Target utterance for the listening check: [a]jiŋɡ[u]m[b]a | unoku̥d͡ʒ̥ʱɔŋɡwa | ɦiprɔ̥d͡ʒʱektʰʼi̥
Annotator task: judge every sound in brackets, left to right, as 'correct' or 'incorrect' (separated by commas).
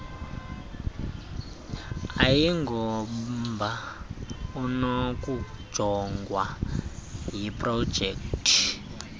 correct, incorrect, correct